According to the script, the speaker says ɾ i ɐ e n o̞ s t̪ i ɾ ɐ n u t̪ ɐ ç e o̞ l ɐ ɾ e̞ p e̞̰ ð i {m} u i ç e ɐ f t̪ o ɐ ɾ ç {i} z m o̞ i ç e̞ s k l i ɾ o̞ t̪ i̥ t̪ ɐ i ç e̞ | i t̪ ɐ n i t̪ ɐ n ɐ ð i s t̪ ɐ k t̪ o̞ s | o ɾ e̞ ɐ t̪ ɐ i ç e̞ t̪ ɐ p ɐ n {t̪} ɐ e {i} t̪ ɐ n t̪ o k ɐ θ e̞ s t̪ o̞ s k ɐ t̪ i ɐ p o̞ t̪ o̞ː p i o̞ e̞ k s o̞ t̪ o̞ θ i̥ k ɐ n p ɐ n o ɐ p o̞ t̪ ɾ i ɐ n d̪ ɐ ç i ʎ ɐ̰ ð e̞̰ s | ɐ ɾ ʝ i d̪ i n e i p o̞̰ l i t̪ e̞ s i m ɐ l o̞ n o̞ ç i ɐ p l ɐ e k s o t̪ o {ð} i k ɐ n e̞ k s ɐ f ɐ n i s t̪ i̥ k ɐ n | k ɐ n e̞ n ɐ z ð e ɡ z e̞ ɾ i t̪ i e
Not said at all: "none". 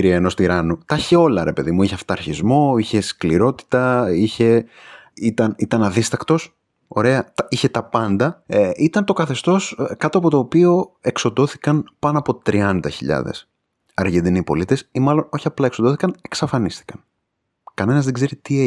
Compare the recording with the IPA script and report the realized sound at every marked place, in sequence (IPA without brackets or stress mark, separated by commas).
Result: m, i, d̪, i, θ